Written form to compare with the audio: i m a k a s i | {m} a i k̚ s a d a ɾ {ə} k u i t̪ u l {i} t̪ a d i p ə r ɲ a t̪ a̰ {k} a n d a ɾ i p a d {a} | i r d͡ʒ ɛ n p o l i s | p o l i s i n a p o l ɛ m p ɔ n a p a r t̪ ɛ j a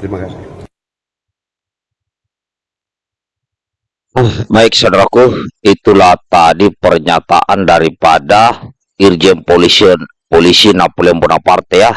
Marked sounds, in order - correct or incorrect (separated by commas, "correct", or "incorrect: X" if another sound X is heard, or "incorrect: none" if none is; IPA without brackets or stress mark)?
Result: correct, incorrect: a, incorrect: a, incorrect: ʔ, correct